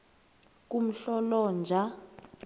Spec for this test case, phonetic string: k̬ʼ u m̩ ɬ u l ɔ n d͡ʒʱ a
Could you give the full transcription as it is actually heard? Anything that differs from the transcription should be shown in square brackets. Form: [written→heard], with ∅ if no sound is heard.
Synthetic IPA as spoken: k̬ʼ u m̩ ɬ [u→ɔ] l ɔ n d͡ʒʱ a